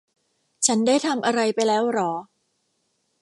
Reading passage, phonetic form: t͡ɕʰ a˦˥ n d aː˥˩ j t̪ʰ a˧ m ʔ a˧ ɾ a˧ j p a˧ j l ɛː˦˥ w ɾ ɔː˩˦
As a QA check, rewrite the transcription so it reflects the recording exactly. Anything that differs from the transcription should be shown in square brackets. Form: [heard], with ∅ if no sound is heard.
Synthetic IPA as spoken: t͡ɕʰ a˦˥ n d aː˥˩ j t̪ʰ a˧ m ʔ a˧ ɾ a˧ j p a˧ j l ɛː˦˥ w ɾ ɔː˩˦